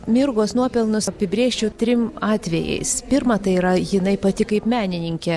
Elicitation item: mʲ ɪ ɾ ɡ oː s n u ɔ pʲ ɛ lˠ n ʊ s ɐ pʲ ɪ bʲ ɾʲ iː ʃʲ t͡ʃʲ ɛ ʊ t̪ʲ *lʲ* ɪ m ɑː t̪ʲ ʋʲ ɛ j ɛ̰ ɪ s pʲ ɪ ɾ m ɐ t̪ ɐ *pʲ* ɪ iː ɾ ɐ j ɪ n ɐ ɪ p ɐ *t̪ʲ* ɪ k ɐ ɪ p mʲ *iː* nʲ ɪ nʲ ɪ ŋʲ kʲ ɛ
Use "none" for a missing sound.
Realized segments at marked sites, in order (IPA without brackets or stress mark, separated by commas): ɾʲ, none, t̪ʲ, æː